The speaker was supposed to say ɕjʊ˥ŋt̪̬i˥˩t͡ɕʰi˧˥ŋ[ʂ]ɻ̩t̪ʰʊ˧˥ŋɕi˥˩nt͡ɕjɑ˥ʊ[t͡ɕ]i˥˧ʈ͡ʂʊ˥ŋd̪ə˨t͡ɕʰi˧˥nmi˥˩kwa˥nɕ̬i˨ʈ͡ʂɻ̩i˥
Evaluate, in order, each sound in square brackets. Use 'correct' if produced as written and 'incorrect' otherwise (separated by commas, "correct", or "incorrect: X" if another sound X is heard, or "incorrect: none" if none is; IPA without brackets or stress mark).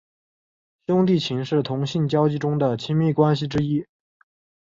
correct, correct